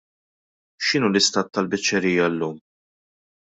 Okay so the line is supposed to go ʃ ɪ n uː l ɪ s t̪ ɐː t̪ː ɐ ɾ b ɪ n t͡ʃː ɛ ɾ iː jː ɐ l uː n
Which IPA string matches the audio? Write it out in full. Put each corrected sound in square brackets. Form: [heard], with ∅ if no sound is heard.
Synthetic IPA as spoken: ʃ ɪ n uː l ɪ s t̪ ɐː t̪ː ɐ [l] b ɪ [∅] t͡ʃː ɛ ɾ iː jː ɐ [lː] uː [m]